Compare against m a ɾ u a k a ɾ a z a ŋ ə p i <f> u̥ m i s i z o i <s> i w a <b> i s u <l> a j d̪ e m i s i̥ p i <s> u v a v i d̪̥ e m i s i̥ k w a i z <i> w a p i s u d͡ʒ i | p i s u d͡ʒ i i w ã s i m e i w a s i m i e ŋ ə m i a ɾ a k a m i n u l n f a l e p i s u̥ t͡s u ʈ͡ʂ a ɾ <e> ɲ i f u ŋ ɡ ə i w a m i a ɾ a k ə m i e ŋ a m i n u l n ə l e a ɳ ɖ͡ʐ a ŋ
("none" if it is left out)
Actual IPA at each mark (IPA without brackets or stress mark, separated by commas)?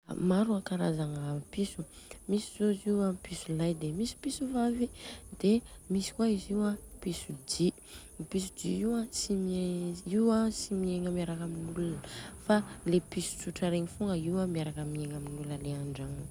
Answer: s, z, p, l, s, i, e